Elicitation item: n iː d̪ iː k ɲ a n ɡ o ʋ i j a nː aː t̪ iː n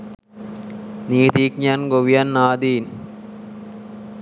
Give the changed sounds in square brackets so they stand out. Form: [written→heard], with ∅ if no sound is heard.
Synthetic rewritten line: n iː [d̪→t̪] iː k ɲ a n ɡ o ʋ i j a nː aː [t̪→d̪] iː n